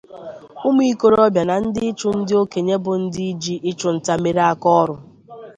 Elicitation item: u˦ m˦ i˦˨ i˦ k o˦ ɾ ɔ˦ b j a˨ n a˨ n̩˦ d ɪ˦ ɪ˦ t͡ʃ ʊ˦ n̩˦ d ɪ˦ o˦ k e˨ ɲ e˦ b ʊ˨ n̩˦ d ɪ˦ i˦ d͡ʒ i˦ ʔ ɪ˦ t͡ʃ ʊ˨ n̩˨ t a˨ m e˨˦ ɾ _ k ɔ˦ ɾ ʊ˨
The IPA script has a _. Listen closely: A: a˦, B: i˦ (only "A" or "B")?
A